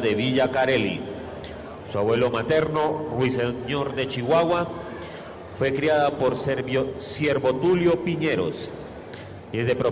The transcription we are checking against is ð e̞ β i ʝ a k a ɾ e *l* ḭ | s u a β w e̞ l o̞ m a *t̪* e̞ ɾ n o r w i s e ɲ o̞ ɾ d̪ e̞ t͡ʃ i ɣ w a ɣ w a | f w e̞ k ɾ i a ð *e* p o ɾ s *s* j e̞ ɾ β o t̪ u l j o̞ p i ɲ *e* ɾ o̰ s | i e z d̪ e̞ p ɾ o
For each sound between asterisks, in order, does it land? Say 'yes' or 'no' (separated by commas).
yes, yes, no, yes, yes